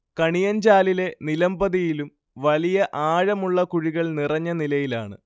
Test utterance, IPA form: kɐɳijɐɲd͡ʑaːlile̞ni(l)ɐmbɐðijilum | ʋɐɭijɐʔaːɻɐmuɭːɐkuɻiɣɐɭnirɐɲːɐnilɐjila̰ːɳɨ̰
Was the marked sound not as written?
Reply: no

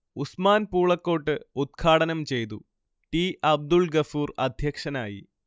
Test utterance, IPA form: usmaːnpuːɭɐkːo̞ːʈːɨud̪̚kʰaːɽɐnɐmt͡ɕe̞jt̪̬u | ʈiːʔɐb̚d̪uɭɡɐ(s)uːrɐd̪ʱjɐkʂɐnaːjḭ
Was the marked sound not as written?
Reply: yes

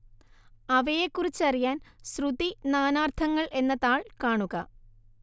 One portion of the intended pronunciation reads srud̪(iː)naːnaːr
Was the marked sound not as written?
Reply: yes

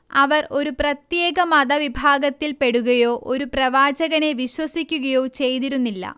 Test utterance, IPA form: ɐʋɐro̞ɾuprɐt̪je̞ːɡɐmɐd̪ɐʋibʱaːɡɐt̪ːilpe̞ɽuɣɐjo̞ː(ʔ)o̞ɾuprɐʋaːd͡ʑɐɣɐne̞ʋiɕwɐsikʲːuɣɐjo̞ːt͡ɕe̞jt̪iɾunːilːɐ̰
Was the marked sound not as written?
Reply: no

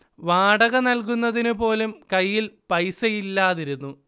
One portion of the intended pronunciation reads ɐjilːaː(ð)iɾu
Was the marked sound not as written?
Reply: no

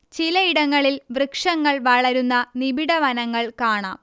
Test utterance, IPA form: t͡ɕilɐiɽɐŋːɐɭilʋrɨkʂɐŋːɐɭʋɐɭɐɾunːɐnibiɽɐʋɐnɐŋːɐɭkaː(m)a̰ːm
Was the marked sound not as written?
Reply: yes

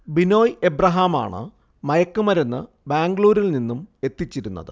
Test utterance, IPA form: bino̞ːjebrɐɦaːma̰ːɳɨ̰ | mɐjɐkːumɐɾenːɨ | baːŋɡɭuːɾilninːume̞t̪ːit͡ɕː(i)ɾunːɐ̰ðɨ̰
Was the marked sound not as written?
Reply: no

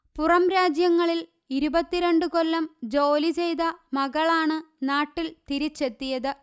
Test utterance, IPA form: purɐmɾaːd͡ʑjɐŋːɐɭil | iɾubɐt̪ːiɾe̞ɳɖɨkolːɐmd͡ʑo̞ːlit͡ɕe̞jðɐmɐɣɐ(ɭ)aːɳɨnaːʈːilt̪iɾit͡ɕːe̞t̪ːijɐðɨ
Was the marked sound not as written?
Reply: no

